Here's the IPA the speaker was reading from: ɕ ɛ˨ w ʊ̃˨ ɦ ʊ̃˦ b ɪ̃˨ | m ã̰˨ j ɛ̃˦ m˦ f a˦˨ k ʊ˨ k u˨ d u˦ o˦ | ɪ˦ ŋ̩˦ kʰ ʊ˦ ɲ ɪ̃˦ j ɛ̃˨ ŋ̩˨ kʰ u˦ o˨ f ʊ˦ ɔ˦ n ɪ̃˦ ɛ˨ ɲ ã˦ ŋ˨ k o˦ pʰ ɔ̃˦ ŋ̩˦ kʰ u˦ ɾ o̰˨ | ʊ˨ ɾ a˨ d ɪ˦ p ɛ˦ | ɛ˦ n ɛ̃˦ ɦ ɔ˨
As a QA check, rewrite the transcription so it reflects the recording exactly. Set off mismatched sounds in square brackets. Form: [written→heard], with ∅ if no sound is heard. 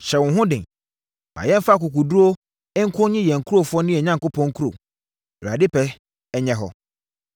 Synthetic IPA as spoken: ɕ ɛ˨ w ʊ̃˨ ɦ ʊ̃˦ [b→d] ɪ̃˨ | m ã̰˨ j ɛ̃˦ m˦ f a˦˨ k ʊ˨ k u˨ d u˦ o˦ | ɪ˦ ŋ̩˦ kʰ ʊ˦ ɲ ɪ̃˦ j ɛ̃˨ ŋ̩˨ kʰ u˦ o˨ f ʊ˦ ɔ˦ n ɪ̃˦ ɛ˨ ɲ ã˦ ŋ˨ k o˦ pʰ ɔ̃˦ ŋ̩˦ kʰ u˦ ɾ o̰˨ | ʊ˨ ɾ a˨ d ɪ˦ p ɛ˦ | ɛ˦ [n→ɲ] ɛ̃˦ ɦ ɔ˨